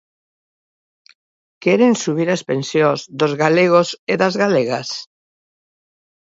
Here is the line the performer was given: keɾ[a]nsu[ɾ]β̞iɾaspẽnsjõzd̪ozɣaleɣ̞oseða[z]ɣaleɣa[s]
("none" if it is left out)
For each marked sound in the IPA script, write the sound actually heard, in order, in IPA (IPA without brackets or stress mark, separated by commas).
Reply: e, none, z, s